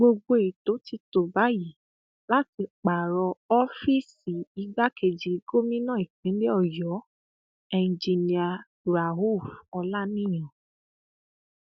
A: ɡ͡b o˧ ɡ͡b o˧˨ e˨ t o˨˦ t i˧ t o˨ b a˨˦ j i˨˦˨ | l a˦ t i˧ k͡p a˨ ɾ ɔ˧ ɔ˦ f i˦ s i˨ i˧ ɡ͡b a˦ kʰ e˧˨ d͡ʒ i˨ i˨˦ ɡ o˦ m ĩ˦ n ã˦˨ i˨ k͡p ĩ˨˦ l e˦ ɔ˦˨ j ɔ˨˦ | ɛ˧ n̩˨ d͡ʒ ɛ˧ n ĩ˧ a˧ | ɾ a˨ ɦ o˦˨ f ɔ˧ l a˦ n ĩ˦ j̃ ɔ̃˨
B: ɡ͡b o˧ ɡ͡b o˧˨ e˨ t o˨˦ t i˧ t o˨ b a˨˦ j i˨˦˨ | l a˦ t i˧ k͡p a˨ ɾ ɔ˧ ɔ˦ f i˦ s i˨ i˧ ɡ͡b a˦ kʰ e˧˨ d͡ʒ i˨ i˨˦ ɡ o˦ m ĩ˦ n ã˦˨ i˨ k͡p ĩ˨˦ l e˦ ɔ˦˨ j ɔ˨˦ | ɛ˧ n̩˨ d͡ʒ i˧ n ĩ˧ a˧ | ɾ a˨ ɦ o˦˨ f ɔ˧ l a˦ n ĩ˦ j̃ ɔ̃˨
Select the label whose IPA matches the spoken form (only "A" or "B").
B